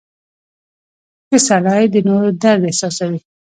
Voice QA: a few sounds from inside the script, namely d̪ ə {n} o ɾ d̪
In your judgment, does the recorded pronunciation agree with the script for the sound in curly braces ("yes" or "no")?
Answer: yes